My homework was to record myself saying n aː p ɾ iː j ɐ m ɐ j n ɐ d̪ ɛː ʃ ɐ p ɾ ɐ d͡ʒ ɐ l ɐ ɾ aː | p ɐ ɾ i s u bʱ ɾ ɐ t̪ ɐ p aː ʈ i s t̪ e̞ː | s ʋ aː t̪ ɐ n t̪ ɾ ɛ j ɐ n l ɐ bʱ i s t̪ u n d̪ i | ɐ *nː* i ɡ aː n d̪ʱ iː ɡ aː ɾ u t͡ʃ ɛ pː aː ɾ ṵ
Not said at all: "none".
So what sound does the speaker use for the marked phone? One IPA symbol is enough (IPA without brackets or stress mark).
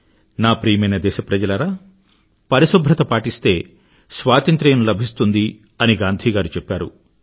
n